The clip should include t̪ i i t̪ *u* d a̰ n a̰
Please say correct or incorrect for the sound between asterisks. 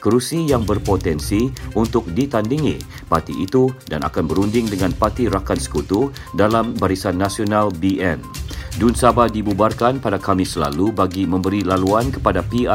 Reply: correct